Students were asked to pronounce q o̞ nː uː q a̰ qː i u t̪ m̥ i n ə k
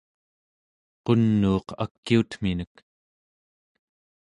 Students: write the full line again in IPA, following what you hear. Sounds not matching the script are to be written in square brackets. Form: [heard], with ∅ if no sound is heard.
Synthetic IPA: q o̞ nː uː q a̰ [kː] i u t̪ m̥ i n ə k

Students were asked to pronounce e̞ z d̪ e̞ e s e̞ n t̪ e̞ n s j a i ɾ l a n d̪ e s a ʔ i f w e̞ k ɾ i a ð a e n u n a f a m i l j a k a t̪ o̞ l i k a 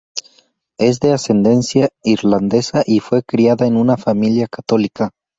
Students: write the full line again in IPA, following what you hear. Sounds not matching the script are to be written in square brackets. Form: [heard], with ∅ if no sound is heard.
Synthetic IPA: e̞ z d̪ e̞ [a] s e̞ n [d̪] e̞ n s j a i ɾ l a n d̪ e s a ʔ i f w e̞ k ɾ i a ð a e n u n a f a m i l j a k a t̪ o̞ l i k a

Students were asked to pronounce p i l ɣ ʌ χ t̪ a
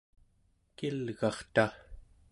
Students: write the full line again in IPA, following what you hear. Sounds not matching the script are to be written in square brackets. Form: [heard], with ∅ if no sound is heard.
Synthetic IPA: [k] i l ɣ [ɑ] χ t̪ a

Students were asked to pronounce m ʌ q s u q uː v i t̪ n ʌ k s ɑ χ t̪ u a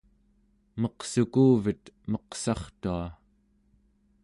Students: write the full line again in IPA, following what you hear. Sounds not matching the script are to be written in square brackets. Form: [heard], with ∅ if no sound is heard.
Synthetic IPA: m ʌ q s u [k] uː v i t̪ [m] ʌ [q] s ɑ χ t̪ u a

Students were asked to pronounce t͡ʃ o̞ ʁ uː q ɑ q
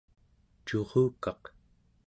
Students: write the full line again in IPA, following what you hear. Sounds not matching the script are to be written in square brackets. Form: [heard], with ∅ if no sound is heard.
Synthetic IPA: t͡ʃ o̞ ʁ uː [k] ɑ q

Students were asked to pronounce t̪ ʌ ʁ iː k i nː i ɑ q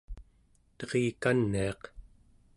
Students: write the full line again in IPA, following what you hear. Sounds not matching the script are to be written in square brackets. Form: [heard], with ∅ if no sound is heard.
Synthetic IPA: t̪ ʌ ʁ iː k [a] nː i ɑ q

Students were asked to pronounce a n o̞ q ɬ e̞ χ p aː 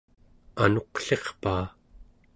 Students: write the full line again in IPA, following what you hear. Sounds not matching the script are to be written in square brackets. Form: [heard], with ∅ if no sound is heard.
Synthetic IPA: a n o̞ q ɬ e̞ χ p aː

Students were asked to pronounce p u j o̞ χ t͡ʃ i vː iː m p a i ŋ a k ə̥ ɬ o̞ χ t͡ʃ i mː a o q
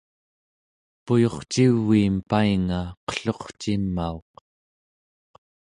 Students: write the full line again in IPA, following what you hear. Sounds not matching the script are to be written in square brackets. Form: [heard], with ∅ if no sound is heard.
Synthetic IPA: p u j o̞ χ t͡ʃ i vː iː m p a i ŋ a [q] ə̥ ɬ o̞ χ t͡ʃ i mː a o q

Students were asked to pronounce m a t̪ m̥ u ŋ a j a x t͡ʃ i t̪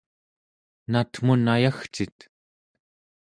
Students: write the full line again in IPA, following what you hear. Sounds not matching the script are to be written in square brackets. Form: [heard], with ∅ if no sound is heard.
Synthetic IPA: [n] a t̪ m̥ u [n] a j a x t͡ʃ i t̪

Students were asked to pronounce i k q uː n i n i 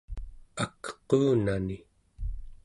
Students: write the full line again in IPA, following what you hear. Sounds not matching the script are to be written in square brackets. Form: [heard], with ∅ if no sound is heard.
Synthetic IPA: [a] k q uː n [a] n i

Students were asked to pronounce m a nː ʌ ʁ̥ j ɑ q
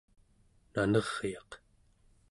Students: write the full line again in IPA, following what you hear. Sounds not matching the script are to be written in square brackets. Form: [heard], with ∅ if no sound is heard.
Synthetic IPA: [n] a [n] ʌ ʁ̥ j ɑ q

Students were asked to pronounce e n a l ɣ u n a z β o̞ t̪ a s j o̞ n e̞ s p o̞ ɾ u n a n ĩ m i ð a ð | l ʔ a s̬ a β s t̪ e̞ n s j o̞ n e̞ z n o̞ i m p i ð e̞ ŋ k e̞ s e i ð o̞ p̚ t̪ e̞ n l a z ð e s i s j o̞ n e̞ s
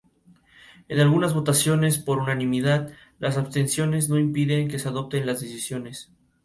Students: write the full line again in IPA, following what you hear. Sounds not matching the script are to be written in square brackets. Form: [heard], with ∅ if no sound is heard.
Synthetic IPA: e n a l ɣ u n a z β o̞ t̪ a s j o̞ n e̞ s p o̞ ɾ u n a n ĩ m i ð a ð | l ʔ a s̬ a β s t̪ e̞ n s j o̞ n e̞ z n o̞ i m p i ð e̞ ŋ k e̞ s e [a] ð o̞ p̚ t̪ e̞ n l a z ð e s i s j o̞ n e̞ s

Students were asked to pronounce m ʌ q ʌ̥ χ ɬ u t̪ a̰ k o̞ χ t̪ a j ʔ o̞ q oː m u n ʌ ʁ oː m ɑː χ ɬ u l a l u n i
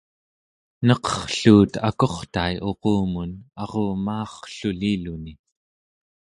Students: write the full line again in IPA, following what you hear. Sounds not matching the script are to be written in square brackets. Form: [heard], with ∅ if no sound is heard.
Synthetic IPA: [n] ʌ q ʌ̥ χ ɬ [uː] t̪ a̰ k o̞ χ t̪ a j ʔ o̞ q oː m u n [ɑ] ʁ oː m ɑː χ ɬ u l [i] l u n i

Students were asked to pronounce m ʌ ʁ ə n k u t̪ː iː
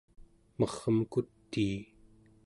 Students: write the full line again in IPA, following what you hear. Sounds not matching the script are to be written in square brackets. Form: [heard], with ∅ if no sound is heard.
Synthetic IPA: m ʌ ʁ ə [m] k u t̪ː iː

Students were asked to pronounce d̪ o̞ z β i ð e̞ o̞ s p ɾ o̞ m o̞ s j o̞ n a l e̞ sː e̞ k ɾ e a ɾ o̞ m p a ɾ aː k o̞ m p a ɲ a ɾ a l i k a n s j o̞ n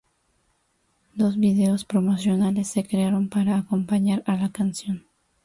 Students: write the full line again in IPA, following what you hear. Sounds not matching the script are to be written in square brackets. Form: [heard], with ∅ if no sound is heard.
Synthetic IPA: d̪ o̞ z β i ð e̞ o̞ s p ɾ o̞ m o̞ s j o̞ n a l e̞ sː e̞ k ɾ e a ɾ o̞ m p a ɾ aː k o̞ m p a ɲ a ɾ a l [a] k a n s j o̞ n

